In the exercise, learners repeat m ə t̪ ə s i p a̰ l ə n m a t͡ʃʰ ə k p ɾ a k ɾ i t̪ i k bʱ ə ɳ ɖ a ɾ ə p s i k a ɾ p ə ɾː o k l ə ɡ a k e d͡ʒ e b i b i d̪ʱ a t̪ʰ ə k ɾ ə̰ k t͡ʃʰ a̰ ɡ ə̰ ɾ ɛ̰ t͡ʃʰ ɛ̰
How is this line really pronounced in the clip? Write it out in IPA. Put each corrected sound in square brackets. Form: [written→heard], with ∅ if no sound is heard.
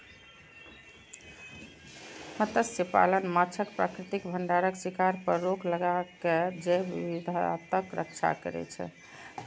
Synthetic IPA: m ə t̪ ə s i p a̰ l ə n m a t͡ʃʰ ə k p ɾ a k ɾ i t̪ i k bʱ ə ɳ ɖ a ɾ ə [p→k] s i k a ɾ p ə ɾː o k l ə ɡ a k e d͡ʒ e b i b i d̪ʱ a [t̪ʰ→t̪] ə k ɾ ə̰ k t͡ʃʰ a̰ [ɡ→k] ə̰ ɾ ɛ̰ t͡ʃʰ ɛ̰